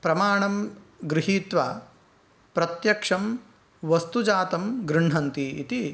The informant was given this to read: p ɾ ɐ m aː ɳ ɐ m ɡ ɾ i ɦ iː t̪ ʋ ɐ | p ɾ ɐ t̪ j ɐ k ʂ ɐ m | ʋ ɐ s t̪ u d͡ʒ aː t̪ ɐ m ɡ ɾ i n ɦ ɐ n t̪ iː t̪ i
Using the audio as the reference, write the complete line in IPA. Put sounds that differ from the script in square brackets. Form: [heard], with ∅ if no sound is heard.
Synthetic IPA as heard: p ɾ ɐ m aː ɳ ɐ m ɡ ɾ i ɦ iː t̪ ʋ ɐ | p ɾ ɐ t̪ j ɐ k ʂ ɐ m | ʋ ɐ s t̪ u d͡ʒ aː t̪ ɐ m ɡ ɾ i [ɳ] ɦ ɐ n t̪ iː t̪ i